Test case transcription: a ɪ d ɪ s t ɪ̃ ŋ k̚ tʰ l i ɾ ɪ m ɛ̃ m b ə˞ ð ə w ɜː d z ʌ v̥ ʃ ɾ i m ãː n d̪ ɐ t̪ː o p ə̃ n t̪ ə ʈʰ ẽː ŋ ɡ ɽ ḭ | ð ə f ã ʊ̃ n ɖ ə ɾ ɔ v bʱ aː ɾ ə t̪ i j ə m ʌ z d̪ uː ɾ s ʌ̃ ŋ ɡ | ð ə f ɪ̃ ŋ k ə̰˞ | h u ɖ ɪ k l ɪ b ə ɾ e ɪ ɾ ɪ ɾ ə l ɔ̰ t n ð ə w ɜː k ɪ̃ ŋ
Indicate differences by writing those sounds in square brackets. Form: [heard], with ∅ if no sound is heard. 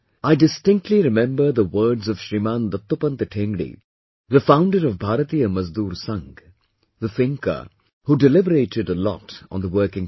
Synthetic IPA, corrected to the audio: a ɪ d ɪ s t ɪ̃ ŋ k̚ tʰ l i ɾ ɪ m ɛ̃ m b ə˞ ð ə w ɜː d z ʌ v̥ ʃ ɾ i m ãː n d̪ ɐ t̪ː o p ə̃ n t̪ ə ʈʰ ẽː ŋ ɡ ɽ ḭ | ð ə f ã ʊ̃ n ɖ ə ɾ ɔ v bʱ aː ɾ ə t̪ i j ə m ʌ z d̪ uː ɾ s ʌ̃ ŋ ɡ | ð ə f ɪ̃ ŋ k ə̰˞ | h u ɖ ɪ [∅] l ɪ b ə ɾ e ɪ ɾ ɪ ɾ ə l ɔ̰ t n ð ə w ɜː k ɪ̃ ŋ

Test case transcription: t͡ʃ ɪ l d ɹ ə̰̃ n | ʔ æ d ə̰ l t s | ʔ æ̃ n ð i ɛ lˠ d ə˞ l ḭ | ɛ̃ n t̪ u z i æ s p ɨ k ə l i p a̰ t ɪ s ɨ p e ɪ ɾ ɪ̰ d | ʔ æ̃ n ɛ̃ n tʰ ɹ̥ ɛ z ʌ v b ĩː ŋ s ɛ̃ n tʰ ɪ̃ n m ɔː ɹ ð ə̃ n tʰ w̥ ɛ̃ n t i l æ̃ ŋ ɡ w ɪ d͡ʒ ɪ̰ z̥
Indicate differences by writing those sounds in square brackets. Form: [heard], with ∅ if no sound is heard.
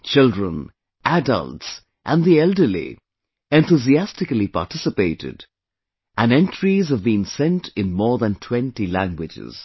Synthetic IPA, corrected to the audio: t͡ʃ ɪ l d ɹ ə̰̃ n | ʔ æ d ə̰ l t s | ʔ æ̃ n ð i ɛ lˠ d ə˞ l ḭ | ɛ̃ n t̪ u z i æ s [t] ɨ k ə l i p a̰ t ɪ s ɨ p e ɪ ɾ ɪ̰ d | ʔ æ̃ n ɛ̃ n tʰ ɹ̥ [i] z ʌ v b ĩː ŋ s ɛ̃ n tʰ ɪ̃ n m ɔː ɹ ð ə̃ n tʰ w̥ ɛ̃ n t i l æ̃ ŋ ɡ w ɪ d͡ʒ ɪ̰ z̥

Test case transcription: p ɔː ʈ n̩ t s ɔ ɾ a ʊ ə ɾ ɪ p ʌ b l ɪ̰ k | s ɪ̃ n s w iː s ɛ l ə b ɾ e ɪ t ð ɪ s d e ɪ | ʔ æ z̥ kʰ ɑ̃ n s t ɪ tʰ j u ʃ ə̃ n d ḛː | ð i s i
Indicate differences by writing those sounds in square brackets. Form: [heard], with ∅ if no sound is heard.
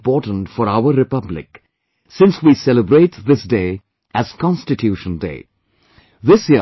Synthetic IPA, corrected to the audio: p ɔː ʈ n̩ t [f] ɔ ɾ a ʊ ə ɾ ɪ p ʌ b l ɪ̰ k | s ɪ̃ n s w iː s ɛ l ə b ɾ e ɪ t ð ɪ s d e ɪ | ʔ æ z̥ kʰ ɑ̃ n s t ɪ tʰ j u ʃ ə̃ n d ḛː | ð [ɪ] s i

